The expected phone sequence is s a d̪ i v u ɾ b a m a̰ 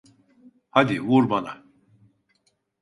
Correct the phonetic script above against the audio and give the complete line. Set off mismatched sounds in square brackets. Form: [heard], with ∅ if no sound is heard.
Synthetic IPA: [h] a d̪ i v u ɾ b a [n] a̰